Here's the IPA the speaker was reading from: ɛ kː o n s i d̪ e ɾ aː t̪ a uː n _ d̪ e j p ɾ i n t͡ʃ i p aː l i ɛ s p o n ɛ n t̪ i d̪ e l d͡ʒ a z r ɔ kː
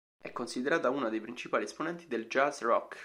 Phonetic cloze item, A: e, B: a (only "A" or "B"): B